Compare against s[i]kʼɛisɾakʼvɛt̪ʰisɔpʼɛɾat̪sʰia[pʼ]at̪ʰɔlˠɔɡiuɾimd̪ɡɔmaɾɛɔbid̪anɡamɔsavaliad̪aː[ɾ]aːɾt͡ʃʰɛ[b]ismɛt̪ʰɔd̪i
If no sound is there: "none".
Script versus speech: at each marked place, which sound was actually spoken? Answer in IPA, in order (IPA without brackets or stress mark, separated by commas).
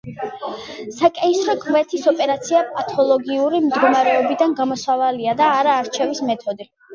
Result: a, pʼ, ɾ, v